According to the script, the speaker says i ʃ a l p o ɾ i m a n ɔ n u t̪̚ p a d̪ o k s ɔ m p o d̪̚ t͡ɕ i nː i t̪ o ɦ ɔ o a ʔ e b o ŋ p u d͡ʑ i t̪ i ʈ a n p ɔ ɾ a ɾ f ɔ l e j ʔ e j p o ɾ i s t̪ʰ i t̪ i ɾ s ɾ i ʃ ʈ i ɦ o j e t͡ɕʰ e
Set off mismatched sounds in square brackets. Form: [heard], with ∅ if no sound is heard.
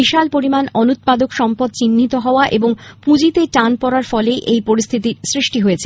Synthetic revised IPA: i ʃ a l p o ɾ i m a n ɔ n u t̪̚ p a d̪ o k [ʃ] ɔ m p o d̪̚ t͡ɕ i nː i t̪ o ɦ ɔ o a ʔ e b o ŋ p u d͡ʑ i t̪ [e] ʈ a n p ɔ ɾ a ɾ f ɔ l e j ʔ e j p o ɾ i s t̪ʰ i t̪ i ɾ s ɾ i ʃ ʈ i ɦ o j e t͡ɕʰ e